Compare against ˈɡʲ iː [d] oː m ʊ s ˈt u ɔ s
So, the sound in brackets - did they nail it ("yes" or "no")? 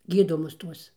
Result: yes